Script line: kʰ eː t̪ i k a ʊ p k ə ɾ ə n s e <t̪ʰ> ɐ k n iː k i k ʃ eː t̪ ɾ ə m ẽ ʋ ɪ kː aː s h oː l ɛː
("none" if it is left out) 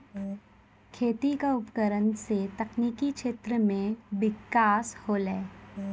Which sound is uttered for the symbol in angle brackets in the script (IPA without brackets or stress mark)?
t̪